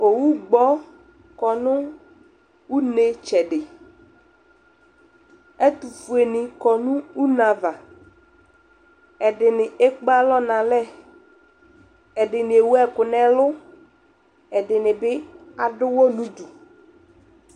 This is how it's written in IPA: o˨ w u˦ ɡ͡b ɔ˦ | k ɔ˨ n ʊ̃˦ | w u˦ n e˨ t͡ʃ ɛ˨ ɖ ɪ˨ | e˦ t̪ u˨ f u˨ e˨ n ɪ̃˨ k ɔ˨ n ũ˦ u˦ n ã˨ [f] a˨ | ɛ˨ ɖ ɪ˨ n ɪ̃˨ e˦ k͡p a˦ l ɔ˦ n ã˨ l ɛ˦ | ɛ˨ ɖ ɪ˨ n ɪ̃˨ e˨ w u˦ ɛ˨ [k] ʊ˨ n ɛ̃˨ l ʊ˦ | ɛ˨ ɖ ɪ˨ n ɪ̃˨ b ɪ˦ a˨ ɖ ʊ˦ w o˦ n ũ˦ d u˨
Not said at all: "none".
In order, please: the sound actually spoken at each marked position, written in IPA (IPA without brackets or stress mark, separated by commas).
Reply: v, k